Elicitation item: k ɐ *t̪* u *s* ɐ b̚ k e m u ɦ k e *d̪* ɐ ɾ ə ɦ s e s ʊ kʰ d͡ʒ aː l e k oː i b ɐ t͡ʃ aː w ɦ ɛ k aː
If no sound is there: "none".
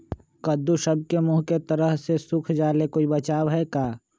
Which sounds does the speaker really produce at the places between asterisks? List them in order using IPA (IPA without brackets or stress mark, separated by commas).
d̪, ʃ, t̪